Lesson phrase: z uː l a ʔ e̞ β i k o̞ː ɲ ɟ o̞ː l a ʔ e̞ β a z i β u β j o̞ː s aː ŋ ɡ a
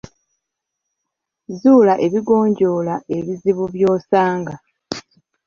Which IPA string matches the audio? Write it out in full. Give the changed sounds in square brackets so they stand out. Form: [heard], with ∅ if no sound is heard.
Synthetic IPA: z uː l a ʔ e̞ β i [ɡ] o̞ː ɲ ɟ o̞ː l a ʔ e̞ β [i] z i β u β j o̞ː s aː ŋ ɡ a